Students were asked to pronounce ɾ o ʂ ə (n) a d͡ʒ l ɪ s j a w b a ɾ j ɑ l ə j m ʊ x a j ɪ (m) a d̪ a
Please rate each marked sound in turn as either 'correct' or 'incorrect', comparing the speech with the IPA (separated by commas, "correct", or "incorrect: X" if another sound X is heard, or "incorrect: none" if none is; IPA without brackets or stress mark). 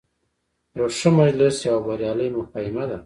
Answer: incorrect: m, correct